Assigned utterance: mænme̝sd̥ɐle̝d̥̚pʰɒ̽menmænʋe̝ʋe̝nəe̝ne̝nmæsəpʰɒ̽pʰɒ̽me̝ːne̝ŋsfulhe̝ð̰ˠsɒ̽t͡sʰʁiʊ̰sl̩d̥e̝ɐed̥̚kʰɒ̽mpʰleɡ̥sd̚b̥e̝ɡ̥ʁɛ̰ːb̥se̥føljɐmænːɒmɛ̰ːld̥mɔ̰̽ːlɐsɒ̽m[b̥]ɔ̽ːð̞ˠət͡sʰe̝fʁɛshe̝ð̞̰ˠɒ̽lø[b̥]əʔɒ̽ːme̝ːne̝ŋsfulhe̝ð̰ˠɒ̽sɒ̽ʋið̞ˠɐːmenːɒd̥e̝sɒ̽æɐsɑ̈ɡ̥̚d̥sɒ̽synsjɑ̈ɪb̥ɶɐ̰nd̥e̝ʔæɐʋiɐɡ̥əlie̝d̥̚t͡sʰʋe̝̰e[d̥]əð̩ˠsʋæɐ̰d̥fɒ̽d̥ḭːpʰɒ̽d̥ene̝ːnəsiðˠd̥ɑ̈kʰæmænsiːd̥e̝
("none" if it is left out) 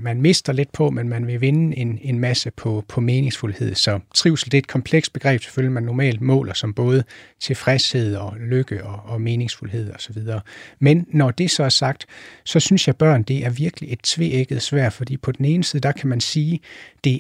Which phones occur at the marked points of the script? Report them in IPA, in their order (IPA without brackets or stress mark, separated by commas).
b̥, ɡ̥, ɡ̥